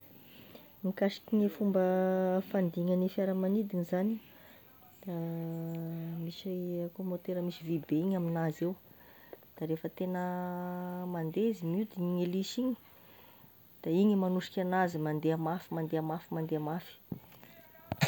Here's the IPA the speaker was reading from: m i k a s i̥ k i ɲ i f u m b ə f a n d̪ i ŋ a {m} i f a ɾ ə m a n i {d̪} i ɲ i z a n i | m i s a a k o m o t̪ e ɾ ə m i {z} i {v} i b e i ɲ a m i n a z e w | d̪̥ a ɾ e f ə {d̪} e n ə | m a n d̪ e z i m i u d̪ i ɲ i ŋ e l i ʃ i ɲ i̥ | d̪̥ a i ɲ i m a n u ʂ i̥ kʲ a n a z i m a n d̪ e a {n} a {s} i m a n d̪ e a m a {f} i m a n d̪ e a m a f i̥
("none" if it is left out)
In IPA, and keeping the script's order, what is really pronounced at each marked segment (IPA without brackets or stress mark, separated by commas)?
n, d̪, s, v, t̪, m, f, f